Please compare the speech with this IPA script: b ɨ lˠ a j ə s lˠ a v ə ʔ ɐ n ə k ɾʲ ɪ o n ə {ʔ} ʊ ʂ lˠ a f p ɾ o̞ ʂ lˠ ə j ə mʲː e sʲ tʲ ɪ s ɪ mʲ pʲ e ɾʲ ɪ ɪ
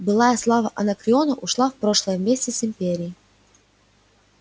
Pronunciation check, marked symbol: correct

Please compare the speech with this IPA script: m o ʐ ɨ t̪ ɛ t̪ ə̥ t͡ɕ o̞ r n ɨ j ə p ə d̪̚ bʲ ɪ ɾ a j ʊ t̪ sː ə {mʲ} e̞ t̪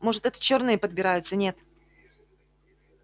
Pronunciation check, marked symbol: incorrect: nʲ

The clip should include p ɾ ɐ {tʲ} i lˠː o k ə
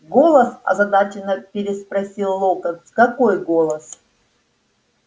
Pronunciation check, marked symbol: incorrect: sʲ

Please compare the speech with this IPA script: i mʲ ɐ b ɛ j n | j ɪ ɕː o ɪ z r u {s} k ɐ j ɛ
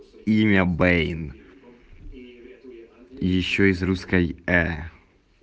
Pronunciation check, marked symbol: correct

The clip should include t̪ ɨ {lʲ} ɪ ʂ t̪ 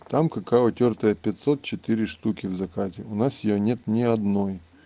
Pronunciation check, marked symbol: incorrect: ɾʲ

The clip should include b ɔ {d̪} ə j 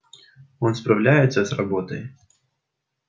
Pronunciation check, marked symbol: incorrect: t̪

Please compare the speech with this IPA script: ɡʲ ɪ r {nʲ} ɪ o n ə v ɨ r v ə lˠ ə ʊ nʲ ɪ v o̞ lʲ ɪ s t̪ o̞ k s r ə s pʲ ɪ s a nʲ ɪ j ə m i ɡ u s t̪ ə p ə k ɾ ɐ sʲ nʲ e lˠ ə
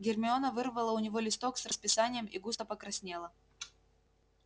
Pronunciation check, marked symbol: incorrect: mʲ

